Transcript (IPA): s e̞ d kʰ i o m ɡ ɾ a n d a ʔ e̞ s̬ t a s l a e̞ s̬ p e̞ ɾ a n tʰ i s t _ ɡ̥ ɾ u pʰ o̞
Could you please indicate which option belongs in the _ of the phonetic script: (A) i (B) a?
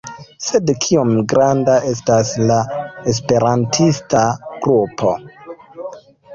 B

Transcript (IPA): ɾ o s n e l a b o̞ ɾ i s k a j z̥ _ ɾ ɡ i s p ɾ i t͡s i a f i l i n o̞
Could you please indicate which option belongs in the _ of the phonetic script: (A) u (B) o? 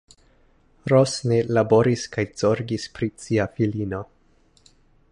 B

